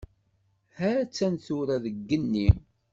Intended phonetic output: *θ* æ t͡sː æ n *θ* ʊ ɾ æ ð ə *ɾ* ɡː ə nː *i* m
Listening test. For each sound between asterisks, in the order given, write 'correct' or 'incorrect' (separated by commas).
incorrect, correct, incorrect, correct